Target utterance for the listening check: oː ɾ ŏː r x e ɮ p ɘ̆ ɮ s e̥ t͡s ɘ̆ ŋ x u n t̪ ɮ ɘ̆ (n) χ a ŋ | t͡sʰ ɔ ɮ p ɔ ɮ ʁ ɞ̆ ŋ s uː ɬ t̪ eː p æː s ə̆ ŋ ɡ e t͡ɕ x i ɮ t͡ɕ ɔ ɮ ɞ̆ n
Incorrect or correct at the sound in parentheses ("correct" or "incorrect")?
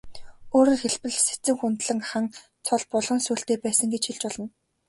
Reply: incorrect